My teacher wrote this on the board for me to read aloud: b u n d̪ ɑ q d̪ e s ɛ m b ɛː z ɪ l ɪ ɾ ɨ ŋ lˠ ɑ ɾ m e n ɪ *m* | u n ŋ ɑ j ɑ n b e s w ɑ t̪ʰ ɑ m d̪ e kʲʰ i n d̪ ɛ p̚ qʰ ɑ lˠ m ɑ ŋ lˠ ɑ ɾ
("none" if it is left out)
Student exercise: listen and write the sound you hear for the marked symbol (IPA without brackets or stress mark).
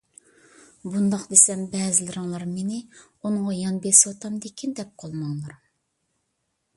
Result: none